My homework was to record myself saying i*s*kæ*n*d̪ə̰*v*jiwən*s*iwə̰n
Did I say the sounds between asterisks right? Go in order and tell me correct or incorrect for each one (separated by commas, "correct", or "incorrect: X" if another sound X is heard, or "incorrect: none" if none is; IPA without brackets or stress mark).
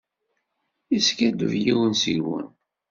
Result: correct, incorrect: none, correct, correct